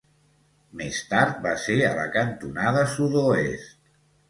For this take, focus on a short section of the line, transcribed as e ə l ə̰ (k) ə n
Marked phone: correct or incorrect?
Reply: correct